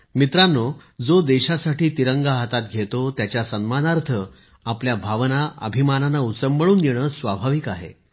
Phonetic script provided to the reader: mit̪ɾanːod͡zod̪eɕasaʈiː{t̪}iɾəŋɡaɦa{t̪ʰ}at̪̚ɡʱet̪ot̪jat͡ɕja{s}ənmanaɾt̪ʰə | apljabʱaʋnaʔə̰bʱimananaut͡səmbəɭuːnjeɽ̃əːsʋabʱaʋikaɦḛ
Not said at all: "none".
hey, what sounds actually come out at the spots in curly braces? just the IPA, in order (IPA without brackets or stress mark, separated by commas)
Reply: t̪, t̪, s